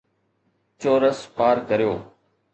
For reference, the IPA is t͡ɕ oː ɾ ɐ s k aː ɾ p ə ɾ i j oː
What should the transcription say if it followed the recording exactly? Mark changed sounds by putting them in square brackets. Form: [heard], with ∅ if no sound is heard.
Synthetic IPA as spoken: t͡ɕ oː ɾ [ə] s [p] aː ɾ [k] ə ɾ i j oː